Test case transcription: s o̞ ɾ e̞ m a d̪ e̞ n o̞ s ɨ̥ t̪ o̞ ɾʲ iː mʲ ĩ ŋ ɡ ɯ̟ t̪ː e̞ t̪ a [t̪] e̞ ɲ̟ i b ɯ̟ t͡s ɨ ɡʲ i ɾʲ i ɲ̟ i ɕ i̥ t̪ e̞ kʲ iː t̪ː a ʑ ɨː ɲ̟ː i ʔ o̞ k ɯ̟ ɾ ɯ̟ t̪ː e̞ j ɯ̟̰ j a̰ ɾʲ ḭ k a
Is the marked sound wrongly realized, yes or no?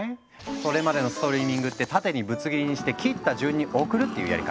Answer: no